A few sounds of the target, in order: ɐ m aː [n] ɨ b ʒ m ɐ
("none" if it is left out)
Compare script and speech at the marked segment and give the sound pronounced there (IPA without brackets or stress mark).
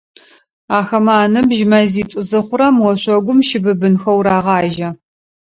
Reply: n